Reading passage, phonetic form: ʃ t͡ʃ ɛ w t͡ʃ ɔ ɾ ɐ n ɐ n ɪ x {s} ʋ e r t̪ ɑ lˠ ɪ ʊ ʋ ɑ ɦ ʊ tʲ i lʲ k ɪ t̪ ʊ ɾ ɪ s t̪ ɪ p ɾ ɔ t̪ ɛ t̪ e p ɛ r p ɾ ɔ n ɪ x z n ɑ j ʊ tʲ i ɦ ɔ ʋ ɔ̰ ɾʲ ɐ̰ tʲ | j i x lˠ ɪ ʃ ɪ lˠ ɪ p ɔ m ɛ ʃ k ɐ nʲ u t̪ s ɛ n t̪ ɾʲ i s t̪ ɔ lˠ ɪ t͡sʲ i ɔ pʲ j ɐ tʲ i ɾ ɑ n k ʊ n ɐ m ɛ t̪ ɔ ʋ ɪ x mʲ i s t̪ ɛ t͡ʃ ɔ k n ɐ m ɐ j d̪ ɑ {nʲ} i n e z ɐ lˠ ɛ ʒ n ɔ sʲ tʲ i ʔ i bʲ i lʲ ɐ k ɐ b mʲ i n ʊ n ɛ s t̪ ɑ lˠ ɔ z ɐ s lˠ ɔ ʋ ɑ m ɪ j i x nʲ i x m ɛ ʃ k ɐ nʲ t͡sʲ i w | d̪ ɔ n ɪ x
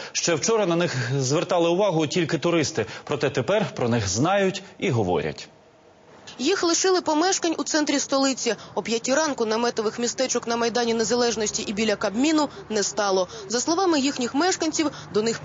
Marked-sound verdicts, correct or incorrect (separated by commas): incorrect, correct